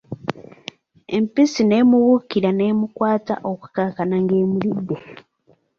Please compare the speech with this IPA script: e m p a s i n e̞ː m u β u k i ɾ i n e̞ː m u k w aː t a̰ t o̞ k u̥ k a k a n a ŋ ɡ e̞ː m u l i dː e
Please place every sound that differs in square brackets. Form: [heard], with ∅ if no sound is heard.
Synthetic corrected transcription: e m p [i] s i n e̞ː m u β u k i ɾ [a] n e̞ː m u k w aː t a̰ [ʔ] o̞ k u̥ k a k a n a ŋ ɡ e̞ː m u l i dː e